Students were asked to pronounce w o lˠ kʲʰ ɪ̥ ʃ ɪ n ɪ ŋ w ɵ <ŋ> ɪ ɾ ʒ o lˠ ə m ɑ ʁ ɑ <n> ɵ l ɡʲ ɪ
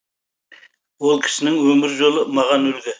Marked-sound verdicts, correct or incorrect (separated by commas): incorrect, correct